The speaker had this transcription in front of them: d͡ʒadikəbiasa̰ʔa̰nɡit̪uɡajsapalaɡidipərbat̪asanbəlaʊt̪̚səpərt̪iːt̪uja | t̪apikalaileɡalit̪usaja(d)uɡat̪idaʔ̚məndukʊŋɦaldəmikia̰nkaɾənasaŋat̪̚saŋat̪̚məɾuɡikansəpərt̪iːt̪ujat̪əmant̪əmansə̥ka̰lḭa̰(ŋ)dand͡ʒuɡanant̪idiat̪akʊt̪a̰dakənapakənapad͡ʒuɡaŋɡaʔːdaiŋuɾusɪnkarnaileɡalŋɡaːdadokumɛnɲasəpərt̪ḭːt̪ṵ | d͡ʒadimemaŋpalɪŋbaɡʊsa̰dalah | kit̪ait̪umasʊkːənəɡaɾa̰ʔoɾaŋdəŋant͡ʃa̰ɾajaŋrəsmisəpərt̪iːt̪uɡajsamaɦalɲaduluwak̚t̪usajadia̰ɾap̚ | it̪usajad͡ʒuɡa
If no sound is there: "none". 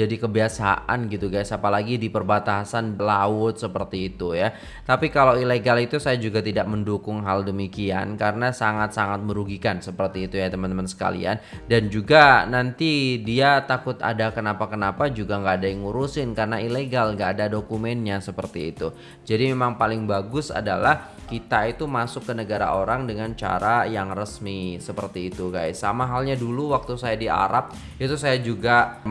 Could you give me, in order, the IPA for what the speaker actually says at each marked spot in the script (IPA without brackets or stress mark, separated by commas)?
d͡ʒ, n